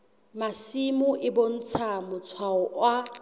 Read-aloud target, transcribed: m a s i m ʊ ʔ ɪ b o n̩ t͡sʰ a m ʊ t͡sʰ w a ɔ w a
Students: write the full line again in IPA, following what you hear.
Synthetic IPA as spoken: m a s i m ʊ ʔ ɪ b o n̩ t͡sʰ a m ʊ t͡sʰ w a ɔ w a